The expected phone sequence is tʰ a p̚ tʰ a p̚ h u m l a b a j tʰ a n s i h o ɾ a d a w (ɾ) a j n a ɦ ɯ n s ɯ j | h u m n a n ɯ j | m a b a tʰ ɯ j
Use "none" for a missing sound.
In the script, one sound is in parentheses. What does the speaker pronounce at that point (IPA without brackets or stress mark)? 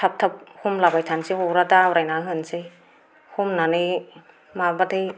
ɾ